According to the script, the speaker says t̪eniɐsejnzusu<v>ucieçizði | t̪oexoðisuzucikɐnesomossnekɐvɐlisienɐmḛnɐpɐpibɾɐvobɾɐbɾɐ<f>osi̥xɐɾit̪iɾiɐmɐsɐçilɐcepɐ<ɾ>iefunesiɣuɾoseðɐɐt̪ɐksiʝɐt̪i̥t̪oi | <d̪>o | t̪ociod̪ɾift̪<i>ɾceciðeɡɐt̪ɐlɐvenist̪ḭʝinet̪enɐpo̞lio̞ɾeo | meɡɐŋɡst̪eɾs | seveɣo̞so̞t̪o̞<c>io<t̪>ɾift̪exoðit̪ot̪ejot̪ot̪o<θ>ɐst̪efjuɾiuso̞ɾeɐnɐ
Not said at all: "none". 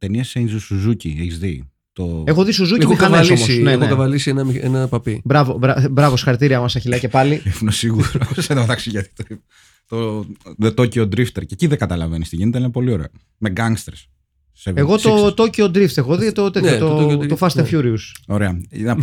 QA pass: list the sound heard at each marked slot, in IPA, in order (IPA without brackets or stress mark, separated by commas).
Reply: z, v, l, t̪, e, c, d̪, f